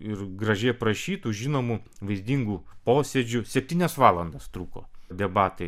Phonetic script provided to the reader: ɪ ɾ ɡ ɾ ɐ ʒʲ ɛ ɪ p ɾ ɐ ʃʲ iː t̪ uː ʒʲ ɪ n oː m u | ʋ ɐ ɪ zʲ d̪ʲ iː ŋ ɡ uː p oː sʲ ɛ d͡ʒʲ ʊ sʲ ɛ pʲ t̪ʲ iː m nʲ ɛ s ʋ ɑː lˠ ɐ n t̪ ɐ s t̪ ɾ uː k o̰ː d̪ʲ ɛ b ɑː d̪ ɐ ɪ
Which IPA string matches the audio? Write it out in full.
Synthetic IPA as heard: ɪ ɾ ɡ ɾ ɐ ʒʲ ɛ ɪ p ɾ ɐ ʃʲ iː t̪ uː ʒʲ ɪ n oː m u | ʋ ɐ ɪ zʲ d̪ʲ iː ŋ ɡ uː p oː sʲ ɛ d͡ʒʲ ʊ sʲ ɛ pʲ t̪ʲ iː nʲ ɛ s ʋ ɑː lˠ ɐ n d̪ ɐ s t̪ ɾ uː k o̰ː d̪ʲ ɛ b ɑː t̪ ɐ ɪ